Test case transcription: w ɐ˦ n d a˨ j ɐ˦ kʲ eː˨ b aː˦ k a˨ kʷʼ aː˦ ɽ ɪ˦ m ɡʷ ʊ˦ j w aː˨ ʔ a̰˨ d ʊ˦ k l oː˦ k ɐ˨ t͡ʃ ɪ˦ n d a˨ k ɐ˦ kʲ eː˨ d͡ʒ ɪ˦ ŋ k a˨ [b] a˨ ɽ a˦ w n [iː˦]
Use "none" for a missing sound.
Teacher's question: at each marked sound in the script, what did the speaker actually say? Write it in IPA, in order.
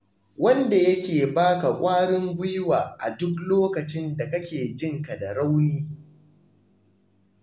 d, iː˦

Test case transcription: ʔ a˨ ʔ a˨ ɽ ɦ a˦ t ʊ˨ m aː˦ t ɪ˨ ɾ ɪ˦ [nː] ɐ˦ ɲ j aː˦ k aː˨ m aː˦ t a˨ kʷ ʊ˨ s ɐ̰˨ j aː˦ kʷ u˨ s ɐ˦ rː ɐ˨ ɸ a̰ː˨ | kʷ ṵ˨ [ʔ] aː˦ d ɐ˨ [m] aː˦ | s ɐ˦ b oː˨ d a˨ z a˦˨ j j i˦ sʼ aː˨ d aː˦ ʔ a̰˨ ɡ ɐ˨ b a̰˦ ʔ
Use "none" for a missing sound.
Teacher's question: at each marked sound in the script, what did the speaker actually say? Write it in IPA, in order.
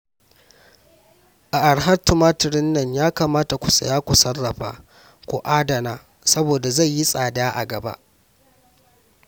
nː, ʔ, n

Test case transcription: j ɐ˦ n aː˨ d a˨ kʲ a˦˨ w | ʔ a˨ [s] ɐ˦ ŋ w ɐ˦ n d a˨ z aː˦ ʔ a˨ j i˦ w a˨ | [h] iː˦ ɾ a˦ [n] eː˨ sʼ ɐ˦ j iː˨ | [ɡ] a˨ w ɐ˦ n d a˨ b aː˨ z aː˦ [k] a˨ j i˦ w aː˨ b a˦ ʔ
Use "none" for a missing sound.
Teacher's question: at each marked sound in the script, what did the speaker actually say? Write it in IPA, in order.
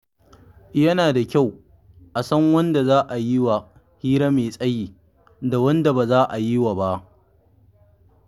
s, h, m, d, ʔ

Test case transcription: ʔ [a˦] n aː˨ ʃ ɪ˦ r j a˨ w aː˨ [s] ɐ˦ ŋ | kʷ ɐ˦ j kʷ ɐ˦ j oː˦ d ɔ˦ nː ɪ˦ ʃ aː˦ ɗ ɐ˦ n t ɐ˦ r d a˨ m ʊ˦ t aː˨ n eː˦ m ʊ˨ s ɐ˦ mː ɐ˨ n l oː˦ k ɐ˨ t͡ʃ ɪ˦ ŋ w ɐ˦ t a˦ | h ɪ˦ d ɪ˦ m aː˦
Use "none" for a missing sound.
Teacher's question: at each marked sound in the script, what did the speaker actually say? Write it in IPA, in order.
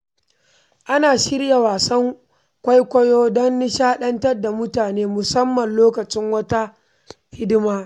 a˦, s

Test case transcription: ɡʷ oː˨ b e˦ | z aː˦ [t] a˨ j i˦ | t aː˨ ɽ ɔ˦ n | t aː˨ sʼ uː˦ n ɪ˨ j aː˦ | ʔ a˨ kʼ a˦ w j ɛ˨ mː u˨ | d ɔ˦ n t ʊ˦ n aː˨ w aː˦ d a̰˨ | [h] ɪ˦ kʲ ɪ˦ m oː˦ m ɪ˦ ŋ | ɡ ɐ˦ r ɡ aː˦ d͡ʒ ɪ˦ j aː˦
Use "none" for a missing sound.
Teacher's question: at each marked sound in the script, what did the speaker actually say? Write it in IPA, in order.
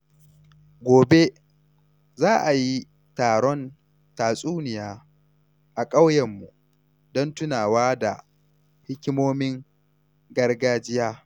ʔ, h

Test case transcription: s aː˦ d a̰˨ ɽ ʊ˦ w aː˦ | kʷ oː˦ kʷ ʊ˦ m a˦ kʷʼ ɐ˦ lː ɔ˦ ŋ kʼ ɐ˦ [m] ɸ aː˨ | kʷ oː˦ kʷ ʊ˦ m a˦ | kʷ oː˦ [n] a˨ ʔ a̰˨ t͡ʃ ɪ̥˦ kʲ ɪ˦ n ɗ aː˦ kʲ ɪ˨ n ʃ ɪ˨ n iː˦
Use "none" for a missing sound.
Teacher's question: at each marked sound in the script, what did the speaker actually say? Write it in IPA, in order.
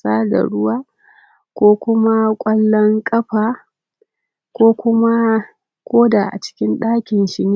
none, d

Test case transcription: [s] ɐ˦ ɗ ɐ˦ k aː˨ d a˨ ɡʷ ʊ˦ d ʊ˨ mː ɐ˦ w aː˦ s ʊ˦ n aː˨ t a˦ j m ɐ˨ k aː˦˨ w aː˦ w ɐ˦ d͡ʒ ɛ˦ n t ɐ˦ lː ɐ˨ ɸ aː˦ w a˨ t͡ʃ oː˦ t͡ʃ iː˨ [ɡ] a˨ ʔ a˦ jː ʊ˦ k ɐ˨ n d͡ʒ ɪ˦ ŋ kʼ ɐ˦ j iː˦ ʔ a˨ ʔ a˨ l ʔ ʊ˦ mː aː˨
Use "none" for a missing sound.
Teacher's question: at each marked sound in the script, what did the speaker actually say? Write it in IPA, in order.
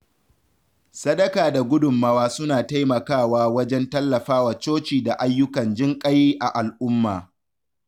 s, d

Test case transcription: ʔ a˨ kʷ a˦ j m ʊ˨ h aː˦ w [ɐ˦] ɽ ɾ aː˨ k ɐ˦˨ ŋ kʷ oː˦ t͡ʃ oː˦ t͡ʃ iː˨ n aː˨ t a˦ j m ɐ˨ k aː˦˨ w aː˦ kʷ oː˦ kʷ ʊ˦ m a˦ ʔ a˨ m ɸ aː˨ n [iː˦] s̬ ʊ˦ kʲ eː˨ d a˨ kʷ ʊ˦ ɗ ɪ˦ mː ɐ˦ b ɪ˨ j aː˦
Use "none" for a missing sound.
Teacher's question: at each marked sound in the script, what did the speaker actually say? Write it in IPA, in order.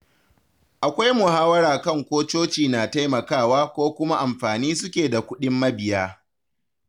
ɐ˦, iː˦

